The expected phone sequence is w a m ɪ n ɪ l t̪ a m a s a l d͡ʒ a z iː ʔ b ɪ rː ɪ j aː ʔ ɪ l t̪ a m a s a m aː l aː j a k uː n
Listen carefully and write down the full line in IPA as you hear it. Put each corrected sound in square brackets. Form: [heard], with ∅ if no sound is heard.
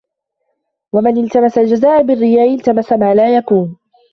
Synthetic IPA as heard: w a m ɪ n ɪ l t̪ a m a s a l d͡ʒ a z [aː] ʔ b ɪ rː ɪ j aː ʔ ɪ l t̪ a m a s a m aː l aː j a k uː n

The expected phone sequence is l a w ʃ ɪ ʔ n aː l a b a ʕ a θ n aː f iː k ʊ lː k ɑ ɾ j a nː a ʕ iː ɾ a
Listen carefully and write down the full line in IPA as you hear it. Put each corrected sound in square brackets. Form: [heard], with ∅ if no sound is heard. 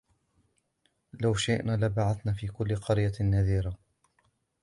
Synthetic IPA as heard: l a w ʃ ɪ ʔ n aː l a b a ʕ a θ n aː f iː k ʊ lː [q] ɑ ɾ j a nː a [ð] iː ɾ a

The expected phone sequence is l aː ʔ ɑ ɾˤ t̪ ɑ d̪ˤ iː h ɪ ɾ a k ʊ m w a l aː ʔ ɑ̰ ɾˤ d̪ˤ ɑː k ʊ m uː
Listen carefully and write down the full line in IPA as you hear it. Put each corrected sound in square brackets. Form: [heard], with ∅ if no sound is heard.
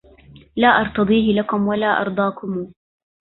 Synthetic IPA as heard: l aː ʔ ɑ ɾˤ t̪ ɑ d̪ˤ iː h ɪ [l] a k ʊ m w a l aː ʔ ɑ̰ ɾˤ d̪ˤ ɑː k ʊ m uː

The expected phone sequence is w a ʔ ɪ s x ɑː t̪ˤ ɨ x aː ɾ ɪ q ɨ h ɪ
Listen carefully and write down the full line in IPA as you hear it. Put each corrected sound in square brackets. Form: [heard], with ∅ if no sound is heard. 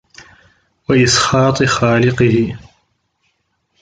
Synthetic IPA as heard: w a ʔ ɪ s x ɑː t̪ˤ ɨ x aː [l] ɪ q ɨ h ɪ

